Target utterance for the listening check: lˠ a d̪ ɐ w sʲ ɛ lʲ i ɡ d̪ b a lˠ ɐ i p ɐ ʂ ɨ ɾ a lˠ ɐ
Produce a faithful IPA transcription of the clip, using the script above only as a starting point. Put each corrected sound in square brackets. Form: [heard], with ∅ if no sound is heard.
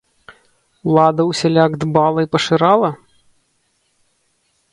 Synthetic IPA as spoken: lˠ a d̪ ɐ w sʲ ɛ lʲ [a] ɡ d̪ b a lˠ ɐ i p ɐ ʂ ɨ ɾ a lˠ ɐ